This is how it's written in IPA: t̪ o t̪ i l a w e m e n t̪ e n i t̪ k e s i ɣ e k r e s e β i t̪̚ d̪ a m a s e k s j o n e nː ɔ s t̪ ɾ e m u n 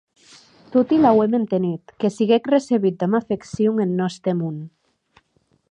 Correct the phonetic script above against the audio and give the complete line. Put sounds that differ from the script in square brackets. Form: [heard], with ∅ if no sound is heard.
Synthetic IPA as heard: t̪ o t̪ i l a w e m e n t̪ e n i t̪ k e s i ɣ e k r e s e β i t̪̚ d̪ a m a [f] e k s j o [ŋ] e nː ɔ s t̪ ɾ e m u n